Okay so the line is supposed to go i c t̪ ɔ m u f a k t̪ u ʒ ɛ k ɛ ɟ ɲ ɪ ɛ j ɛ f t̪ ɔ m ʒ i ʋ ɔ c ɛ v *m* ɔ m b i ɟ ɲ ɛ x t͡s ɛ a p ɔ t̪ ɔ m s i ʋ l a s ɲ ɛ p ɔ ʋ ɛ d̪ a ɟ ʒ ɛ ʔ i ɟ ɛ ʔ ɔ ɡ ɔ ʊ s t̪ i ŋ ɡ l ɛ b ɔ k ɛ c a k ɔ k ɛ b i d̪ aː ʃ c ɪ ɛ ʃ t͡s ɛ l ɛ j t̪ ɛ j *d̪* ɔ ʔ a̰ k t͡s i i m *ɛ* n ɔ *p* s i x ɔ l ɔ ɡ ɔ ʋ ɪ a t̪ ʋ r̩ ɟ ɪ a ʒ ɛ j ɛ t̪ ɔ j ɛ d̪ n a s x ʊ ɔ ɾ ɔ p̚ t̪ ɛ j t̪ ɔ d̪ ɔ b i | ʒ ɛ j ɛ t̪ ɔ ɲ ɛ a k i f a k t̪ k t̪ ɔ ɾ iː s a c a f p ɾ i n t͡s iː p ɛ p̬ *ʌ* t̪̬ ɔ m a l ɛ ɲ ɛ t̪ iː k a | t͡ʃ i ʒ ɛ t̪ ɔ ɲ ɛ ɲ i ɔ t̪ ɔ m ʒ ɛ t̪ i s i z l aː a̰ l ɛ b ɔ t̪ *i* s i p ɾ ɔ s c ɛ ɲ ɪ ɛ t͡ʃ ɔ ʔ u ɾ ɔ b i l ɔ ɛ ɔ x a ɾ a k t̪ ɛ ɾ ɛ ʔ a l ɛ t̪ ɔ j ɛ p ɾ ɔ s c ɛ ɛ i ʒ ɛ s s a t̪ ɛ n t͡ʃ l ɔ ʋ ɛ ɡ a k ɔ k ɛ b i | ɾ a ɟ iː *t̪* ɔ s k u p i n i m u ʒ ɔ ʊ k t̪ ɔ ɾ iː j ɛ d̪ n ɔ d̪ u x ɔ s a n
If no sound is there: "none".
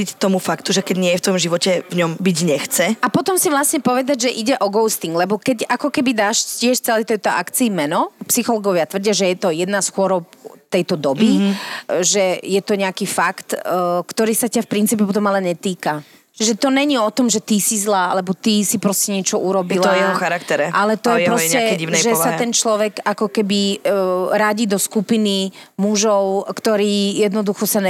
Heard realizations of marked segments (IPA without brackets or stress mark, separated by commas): ɲ, t̪, ɛ, p, ɔ, i, d̪